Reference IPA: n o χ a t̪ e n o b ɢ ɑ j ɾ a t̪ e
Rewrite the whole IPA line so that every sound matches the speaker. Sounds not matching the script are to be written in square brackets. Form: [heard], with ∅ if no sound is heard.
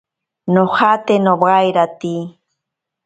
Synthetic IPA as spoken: n o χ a t̪ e n o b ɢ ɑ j ɾ a t̪ [i]